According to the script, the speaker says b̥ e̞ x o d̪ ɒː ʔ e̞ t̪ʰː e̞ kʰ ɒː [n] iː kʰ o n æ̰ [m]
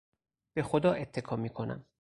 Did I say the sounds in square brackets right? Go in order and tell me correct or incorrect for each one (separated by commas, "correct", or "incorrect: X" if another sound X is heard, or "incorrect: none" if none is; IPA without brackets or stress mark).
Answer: incorrect: m, correct